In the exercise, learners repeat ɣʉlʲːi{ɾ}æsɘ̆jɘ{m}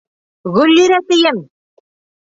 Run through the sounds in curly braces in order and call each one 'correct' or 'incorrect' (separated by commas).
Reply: correct, correct